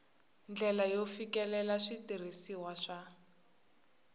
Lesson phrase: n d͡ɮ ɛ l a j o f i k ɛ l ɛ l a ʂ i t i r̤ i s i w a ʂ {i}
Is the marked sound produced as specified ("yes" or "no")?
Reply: no